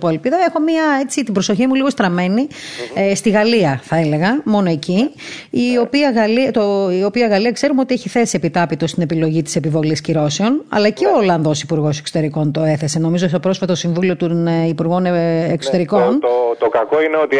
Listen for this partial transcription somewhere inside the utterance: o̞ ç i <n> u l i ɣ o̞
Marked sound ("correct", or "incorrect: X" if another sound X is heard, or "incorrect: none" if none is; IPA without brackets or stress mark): incorrect: m